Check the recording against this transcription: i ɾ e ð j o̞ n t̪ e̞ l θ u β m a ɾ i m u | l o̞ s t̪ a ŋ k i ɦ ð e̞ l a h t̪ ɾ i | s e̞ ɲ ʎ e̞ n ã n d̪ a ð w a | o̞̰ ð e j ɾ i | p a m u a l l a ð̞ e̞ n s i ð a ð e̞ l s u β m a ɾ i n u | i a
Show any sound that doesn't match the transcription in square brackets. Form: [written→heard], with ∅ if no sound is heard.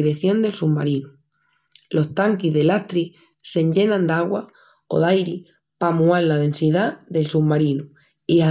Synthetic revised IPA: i ɾ e [ð→θ] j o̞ n [t̪→d̪] e̞ l [θ→s] u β m a ɾ i [m→n] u | l o̞ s t̪ a ŋ k i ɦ ð e̞ l a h t̪ ɾ i | s e̞ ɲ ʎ e̞ n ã n d̪ a [ð→ɣ] w a | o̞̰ ð [e→a] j ɾ i | p a m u a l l a ð̞ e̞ n s i ð a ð e̞ l s u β m a ɾ i n u | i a